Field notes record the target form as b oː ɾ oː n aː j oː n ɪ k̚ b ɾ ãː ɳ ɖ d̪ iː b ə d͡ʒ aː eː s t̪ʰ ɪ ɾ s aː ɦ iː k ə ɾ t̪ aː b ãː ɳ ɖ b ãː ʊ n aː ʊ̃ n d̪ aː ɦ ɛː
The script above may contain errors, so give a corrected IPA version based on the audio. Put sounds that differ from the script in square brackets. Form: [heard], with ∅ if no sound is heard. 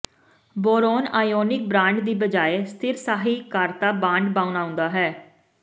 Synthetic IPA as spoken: b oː ɾ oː n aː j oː n ɪ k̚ b ɾ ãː ɳ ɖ d̪ iː b ə d͡ʒ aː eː s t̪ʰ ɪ ɾ s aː ɦ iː k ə ɾ t̪ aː b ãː ɳ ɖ b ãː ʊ n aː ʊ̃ n d̪ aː ɦ ɛː

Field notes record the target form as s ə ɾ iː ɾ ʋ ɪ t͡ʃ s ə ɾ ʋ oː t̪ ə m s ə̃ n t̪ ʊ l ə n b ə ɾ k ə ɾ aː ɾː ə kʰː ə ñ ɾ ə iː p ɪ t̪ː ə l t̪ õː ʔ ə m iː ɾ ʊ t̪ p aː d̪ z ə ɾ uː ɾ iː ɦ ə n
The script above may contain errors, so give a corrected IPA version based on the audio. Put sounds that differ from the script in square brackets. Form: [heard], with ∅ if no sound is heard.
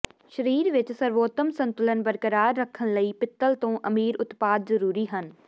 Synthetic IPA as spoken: [ʃ] ə ɾ iː ɾ ʋ ɪ t͡ʃ s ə ɾ ʋ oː t̪ ə m s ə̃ n t̪ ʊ l ə n b ə ɾ k ə ɾ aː ɾː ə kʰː ə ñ [l] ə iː p ɪ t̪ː ə l t̪ õː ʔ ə m iː ɾ ʊ t̪ p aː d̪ z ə ɾ uː ɾ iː ɦ ə n

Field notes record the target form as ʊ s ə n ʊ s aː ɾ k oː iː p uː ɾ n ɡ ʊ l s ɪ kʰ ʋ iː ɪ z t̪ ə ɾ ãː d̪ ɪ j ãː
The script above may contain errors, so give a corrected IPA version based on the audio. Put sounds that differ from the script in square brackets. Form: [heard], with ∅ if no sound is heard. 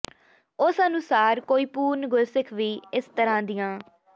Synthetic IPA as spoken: ʊ s ə n ʊ s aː ɾ k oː iː p uː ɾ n ɡ ʊ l s ɪ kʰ ʋ iː ɪ [s] t̪ ə ɾ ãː d̪ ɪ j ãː

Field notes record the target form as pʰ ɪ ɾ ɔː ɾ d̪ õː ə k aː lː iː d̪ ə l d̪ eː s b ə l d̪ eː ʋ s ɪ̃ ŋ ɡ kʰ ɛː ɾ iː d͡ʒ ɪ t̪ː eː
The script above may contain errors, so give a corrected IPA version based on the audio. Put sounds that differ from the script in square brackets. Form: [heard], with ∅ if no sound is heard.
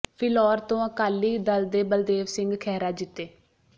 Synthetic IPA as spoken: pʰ ɪ [l] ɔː ɾ [t̪] õː ə k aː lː iː d̪ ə l d̪ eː [∅] b ə l d̪ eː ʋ s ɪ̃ ŋ ɡ kʰ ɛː ɾ [aː] d͡ʒ ɪ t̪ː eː

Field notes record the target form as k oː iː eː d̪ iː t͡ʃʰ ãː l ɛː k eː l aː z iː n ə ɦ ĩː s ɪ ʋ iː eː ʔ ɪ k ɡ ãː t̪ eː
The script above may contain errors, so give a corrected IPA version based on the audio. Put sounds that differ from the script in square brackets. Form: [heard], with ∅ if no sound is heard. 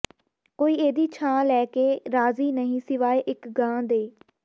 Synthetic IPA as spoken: k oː iː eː d̪ iː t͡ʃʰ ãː l ɛː k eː [ɾ] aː z iː n ə ɦ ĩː s ɪ ʋ [aː] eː ʔ ɪ k ɡ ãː [d̪] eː

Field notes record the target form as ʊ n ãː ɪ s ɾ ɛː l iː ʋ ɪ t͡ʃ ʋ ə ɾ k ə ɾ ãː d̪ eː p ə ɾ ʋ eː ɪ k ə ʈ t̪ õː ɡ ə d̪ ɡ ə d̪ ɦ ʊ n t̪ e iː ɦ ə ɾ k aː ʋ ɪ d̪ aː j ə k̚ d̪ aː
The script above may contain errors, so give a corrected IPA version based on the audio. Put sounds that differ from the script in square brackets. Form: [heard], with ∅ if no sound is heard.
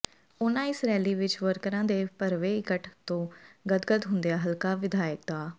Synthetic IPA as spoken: ʊ n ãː ɪ s ɾ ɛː l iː ʋ ɪ t͡ʃ ʋ ə ɾ k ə ɾ ãː d̪ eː p ə ɾ ʋ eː ɪ k ə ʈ t̪ õː ɡ ə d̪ ɡ ə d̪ ɦ ʊ n [d̪] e [aː] ɦ ə [l] k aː ʋ ɪ d̪ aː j ə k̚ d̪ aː

